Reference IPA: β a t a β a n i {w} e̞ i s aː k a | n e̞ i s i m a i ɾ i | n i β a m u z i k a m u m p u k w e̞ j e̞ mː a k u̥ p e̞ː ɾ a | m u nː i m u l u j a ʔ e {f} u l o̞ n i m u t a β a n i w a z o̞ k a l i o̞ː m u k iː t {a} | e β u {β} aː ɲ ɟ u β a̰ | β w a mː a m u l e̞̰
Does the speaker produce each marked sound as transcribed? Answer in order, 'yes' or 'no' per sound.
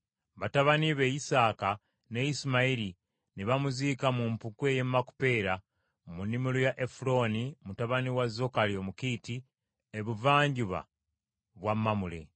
no, yes, no, no

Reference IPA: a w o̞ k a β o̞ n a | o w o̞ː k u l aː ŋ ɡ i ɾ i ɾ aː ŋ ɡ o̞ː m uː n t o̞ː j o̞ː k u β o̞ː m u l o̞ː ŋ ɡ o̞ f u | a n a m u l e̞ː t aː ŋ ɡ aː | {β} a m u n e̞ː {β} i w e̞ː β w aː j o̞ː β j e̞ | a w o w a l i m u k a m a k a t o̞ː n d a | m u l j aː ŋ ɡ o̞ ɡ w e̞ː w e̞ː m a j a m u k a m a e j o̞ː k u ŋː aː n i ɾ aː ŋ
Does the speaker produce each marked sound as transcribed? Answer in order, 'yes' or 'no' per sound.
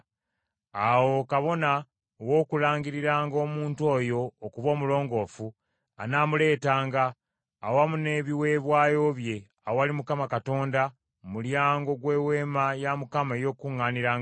no, yes

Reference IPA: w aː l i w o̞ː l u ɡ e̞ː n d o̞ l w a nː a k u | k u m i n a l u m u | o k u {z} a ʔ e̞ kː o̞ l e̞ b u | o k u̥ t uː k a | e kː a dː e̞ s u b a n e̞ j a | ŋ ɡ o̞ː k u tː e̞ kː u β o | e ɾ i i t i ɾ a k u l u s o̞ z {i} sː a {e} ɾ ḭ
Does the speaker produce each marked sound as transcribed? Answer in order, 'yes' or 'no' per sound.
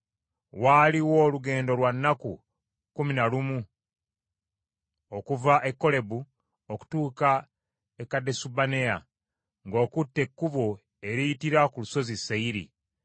no, yes, no

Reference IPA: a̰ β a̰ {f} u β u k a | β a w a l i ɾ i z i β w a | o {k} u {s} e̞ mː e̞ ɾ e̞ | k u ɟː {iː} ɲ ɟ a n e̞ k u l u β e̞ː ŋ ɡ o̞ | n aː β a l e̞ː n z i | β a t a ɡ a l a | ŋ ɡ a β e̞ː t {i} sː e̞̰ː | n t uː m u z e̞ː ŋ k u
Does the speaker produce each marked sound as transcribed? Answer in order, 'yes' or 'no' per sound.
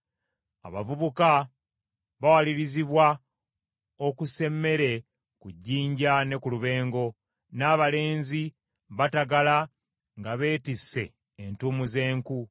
no, yes, yes, yes, yes

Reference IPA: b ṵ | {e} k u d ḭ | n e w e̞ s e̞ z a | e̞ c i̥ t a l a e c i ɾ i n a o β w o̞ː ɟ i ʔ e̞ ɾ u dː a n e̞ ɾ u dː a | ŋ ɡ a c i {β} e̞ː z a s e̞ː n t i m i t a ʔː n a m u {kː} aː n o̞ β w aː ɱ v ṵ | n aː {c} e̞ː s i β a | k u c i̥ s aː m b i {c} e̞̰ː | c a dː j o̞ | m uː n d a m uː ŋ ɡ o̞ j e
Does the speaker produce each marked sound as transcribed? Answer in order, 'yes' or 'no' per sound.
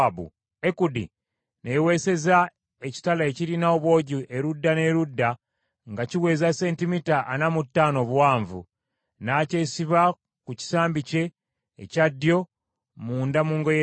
yes, no, no, yes, yes

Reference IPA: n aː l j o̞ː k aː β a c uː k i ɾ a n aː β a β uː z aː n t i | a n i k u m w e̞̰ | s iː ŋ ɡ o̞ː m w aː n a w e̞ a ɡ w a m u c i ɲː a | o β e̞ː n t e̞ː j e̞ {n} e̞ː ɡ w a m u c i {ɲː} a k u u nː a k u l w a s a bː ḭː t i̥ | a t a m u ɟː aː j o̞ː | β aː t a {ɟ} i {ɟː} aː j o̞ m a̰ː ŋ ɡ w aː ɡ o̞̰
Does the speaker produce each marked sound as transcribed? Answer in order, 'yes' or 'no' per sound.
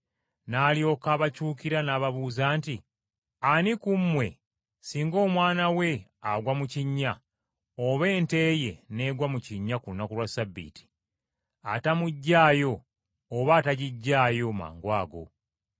yes, yes, yes, yes

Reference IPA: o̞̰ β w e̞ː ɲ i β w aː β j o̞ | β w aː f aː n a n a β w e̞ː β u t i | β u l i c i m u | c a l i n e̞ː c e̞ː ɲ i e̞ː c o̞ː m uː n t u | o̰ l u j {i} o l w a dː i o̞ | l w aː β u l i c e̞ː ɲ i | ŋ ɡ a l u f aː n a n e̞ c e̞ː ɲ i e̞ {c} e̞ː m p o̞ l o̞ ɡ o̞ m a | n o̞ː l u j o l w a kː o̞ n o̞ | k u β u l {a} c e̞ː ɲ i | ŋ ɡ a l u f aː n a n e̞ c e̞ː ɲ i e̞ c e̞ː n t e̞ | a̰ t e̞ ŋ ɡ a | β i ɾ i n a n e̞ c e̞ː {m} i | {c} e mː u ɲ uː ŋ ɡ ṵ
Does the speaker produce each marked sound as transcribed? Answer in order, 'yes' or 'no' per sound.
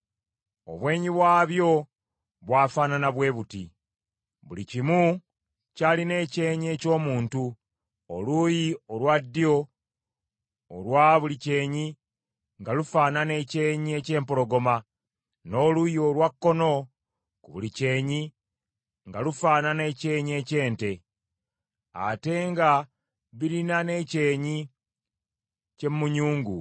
yes, yes, no, no, yes

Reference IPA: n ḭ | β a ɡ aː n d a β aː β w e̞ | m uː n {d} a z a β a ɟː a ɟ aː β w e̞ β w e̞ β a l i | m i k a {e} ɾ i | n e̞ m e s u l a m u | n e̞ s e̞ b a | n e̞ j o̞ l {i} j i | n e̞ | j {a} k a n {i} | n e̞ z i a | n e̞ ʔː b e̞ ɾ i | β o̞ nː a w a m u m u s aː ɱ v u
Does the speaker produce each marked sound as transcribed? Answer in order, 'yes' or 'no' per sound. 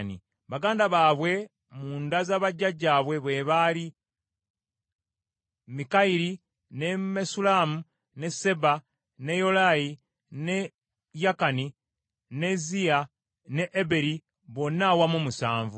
yes, no, no, yes, yes

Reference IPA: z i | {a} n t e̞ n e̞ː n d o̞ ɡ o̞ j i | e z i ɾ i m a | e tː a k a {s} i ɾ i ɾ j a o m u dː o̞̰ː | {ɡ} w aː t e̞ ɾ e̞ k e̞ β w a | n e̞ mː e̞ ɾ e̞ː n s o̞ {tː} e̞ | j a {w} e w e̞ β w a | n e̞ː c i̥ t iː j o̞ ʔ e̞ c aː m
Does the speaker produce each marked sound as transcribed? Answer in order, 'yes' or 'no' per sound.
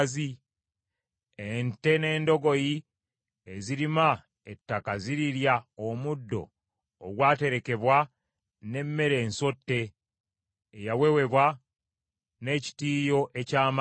no, no, yes, yes, yes

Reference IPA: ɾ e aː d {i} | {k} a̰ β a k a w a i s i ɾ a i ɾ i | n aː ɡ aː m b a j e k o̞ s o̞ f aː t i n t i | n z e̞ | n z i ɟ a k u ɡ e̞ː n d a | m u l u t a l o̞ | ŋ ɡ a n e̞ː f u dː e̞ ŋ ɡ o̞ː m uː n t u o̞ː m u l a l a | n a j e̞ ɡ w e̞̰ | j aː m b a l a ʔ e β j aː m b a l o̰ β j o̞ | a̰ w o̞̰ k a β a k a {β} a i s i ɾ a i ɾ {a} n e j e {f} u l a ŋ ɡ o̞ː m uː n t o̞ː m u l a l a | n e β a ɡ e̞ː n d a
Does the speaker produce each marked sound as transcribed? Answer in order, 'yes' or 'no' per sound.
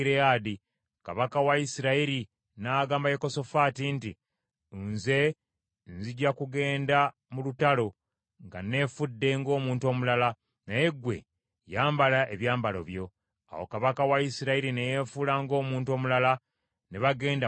yes, yes, no, no, yes

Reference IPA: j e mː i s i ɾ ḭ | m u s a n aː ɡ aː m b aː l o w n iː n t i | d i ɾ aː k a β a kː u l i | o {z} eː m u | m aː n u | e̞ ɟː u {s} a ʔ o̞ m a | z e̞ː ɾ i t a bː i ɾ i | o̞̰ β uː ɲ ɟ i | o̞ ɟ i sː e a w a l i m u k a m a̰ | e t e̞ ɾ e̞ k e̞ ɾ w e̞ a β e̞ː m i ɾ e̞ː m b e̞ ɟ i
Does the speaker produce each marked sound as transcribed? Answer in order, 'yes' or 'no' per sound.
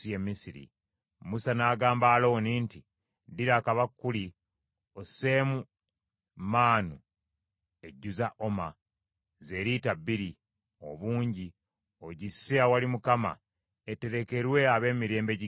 no, no

